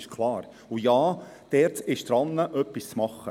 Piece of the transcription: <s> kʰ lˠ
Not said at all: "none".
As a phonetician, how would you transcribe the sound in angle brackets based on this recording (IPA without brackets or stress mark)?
ʃ